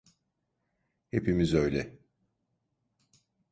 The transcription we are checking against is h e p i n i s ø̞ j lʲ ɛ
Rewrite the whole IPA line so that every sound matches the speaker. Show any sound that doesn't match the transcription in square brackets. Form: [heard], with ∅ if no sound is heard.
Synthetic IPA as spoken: h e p i [m] i [z] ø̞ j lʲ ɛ

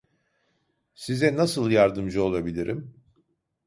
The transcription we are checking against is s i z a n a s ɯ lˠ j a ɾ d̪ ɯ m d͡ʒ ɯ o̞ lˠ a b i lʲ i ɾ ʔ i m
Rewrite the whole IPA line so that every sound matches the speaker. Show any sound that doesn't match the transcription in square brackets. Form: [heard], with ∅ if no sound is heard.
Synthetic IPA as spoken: s i z [ɛ] n a s ɯ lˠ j a ɾ d̪ ɯ m d͡ʒ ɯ o̞ lˠ a b i lʲ i ɾ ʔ i m

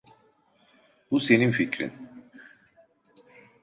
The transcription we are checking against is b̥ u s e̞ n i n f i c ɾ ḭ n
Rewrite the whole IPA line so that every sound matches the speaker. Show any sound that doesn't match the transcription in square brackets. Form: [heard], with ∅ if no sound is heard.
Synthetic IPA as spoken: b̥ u s e̞ n i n f i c ɾ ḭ n

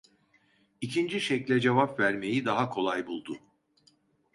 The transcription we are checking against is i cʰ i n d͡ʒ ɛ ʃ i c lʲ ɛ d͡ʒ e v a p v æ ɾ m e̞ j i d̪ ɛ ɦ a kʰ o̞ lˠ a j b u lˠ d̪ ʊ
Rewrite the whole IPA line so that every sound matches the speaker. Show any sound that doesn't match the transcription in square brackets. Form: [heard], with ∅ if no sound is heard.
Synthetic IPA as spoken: i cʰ i n d͡ʒ [i] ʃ [ɛ] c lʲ ɛ d͡ʒ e v a p v æ ɾ m e̞ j i d̪ [a] ɦ a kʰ o̞ lˠ a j b u lˠ d̪ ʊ

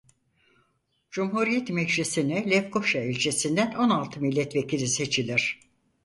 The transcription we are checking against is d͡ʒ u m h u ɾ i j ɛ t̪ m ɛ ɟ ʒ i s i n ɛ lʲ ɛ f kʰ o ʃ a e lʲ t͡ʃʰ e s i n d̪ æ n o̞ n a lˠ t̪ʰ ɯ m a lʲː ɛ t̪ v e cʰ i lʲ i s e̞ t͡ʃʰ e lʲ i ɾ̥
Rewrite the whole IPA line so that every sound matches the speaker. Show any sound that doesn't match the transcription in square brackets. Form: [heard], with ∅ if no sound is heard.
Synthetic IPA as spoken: d͡ʒ u m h u ɾ i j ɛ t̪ m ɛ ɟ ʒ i s i n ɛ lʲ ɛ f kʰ o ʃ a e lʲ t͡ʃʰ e s i n d̪ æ n o̞ n a lˠ t̪ʰ ɯ m [i] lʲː ɛ t̪ v e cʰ i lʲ i s e̞ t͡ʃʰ [i] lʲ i ɾ̥

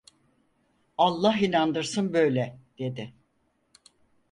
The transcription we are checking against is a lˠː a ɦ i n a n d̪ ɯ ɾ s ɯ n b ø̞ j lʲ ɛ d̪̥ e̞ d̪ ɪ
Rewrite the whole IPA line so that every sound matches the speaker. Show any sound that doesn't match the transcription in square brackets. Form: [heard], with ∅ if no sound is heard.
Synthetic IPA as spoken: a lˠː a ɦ i n a n d̪ ɯ ɾ s ɯ n b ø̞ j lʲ ɛ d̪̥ e̞ d̪ ɪ

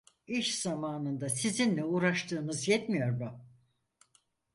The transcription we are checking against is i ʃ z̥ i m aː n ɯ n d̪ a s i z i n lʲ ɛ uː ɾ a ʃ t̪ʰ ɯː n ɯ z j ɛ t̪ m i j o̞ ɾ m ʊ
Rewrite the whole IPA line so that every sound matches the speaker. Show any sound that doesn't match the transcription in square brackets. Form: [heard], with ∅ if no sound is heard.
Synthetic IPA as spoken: i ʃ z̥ [a] m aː n ɯ n d̪ a s i z i n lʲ ɛ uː ɾ a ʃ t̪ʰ ɯː n ɯ z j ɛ t̪ m i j o̞ ɾ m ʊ

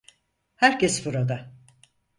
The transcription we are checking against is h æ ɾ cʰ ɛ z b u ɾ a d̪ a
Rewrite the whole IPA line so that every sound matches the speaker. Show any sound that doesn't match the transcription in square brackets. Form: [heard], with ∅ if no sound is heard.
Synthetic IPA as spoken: h æ ɾ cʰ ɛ [s] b u ɾ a d̪ a

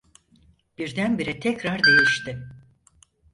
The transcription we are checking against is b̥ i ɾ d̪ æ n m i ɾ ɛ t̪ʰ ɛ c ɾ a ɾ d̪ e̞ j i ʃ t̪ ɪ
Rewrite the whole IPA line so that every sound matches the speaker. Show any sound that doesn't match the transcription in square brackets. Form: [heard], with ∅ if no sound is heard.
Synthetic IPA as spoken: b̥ i ɾ d̪ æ n [b] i ɾ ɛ t̪ʰ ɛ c ɾ a ɾ d̪ e̞ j i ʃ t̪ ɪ

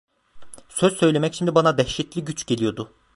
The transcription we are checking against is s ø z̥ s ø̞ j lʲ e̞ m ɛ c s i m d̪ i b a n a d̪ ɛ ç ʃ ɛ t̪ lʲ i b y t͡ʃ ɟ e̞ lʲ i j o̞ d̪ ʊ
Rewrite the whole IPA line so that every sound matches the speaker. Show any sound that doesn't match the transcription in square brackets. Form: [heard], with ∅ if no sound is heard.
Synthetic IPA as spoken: s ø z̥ s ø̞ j lʲ e̞ m ɛ c [ʃ] i m d̪ i b a n a d̪ ɛ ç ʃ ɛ t̪ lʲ i [ɟ] y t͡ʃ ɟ e̞ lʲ i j o̞ d̪ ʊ

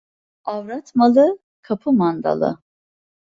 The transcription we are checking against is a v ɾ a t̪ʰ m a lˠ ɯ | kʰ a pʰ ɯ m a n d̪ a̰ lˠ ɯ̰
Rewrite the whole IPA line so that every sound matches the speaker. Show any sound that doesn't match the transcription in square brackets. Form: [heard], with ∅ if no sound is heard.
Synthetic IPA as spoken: a v ɾ a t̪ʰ m a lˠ ɯ | kʰ a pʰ ɯ m a n d̪ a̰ lˠ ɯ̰

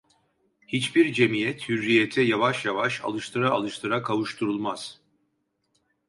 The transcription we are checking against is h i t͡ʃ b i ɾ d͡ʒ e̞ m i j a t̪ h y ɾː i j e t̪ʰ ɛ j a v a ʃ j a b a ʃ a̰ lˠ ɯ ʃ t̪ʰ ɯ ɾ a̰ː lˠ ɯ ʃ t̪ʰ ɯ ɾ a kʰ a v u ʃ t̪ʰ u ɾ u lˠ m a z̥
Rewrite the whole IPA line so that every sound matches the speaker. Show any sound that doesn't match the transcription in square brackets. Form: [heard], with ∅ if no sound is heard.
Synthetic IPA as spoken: h i t͡ʃ b i ɾ d͡ʒ e̞ m i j [ɛ] t̪ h y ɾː i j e t̪ʰ ɛ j a v a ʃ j a [v] a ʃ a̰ lˠ ɯ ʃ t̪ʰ ɯ ɾ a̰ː lˠ ɯ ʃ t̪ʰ ɯ ɾ a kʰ a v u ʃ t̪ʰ u ɾ u lˠ m a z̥

